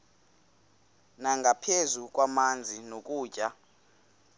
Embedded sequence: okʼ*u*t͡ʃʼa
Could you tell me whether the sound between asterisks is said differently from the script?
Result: yes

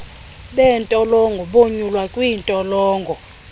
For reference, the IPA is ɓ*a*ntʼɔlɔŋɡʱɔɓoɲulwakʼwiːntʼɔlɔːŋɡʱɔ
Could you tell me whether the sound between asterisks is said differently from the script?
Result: yes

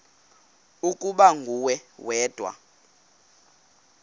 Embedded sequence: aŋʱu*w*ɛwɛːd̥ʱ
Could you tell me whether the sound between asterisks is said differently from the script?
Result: no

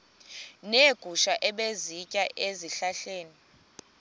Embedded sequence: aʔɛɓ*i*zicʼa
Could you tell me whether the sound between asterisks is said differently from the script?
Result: yes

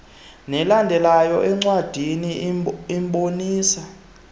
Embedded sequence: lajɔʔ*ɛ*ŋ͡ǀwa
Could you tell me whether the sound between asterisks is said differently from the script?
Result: no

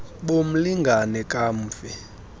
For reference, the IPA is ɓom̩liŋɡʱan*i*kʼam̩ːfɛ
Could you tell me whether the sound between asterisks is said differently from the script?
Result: yes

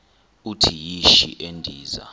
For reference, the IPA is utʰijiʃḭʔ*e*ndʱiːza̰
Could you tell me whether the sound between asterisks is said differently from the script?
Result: no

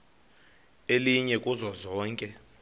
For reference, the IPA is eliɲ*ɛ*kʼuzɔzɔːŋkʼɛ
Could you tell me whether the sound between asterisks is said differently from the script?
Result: no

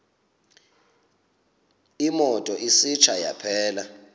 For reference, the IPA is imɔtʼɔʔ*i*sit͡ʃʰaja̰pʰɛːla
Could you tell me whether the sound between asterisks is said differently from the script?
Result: no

